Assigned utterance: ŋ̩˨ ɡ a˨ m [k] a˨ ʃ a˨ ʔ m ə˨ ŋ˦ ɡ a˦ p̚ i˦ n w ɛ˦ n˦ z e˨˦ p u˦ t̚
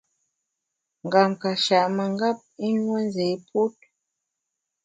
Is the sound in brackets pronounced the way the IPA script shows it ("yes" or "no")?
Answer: yes